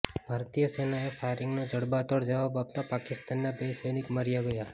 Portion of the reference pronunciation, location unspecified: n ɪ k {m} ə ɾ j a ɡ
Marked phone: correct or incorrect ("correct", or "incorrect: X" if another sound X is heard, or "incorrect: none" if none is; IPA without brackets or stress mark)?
correct